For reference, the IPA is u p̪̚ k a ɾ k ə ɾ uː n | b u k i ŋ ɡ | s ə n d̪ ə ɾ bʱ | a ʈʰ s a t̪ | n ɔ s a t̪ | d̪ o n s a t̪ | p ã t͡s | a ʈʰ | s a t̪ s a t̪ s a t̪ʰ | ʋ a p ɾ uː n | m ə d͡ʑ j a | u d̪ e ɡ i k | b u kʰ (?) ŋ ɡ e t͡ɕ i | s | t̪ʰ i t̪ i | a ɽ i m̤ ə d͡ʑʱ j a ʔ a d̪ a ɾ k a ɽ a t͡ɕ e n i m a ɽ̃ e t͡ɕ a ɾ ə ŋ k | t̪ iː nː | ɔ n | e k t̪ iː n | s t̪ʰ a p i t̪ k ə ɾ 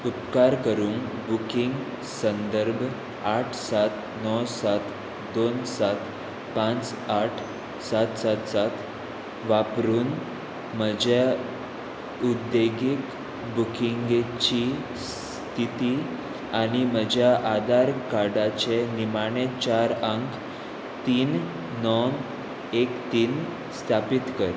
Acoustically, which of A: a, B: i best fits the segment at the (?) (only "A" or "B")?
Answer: B